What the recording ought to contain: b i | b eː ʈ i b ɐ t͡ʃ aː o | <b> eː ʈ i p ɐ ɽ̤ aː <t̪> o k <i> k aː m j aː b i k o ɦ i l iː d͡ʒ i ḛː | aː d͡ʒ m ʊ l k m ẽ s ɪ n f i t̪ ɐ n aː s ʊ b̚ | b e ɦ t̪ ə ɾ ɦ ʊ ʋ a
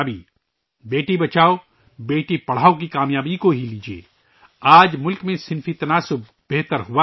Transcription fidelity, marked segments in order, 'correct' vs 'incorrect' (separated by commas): correct, incorrect, correct